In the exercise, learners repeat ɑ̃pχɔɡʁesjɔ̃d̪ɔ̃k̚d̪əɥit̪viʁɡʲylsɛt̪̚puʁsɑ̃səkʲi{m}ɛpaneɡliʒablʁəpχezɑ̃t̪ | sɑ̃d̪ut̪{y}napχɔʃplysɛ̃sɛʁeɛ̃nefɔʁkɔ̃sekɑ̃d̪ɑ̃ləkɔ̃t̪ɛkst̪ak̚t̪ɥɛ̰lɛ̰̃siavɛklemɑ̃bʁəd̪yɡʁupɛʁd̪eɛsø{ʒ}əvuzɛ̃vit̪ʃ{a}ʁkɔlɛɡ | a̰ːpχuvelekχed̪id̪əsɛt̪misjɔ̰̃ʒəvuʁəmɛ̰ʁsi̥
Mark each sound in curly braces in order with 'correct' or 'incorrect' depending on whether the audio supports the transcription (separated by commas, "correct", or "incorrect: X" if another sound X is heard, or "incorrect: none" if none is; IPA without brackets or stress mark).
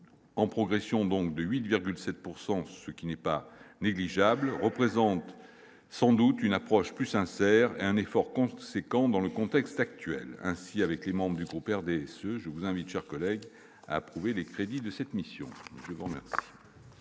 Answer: incorrect: n, correct, correct, incorrect: ɛ